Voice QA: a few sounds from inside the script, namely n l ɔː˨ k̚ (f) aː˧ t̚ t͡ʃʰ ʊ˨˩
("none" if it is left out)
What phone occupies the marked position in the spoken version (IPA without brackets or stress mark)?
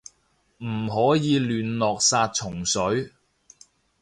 s